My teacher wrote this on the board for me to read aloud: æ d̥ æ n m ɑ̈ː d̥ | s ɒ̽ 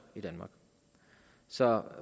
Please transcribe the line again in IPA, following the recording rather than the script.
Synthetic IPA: i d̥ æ n m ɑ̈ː ɡ̥ | s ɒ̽